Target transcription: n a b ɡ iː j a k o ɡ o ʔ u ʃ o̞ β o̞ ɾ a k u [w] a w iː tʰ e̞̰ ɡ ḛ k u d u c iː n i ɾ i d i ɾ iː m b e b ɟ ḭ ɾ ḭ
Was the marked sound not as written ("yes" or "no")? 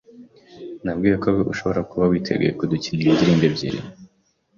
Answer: yes